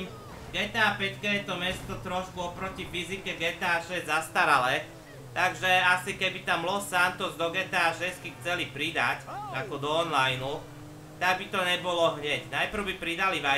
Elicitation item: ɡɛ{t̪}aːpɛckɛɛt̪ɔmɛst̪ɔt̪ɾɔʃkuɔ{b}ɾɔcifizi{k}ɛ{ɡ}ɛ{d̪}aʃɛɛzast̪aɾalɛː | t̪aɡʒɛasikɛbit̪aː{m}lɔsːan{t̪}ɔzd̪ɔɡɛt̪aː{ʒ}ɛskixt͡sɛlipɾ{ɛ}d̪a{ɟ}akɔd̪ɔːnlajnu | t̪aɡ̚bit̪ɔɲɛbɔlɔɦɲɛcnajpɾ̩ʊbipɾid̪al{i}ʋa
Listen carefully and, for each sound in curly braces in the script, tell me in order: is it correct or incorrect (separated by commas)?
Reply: correct, incorrect, correct, correct, incorrect, correct, correct, incorrect, incorrect, incorrect, correct